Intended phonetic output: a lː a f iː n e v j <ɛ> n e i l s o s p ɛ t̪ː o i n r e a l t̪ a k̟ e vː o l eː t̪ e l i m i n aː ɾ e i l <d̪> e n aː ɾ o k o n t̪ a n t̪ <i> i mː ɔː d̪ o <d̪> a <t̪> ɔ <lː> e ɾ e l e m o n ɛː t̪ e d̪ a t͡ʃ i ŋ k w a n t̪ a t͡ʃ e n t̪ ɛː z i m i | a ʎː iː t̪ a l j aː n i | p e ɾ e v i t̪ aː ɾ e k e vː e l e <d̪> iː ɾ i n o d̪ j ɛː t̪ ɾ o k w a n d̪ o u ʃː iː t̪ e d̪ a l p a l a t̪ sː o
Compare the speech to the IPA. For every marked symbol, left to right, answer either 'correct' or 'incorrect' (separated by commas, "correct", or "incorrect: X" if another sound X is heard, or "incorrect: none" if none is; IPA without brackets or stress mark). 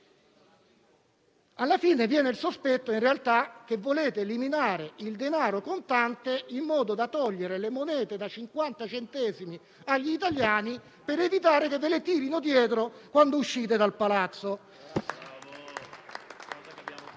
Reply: incorrect: ɛː, correct, incorrect: e, correct, correct, incorrect: ʎː, incorrect: t̪